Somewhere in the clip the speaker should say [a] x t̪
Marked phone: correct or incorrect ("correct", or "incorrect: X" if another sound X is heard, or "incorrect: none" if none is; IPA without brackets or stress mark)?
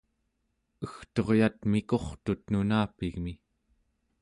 incorrect: ə